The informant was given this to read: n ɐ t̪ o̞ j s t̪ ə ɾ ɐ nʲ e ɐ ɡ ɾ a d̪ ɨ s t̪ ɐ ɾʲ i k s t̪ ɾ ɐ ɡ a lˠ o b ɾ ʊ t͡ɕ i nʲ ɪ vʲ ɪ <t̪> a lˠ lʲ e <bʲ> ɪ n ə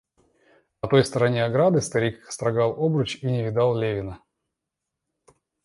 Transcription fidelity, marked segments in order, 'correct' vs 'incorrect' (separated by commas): incorrect, incorrect